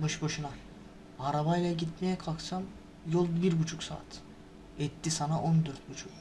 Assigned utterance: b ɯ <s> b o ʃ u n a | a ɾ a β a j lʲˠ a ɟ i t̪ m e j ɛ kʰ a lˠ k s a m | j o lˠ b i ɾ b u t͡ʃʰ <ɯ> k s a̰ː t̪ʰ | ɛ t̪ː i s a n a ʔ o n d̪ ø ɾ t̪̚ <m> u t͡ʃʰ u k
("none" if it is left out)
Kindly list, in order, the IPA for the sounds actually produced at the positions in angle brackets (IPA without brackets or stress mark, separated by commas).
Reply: ʃ, u, b